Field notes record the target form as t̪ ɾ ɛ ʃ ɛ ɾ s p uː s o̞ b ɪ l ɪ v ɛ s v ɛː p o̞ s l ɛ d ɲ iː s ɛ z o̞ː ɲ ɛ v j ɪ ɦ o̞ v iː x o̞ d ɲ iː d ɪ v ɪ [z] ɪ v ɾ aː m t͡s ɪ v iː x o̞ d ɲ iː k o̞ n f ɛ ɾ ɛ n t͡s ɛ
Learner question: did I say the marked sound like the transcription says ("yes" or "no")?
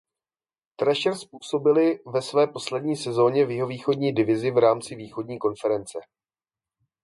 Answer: yes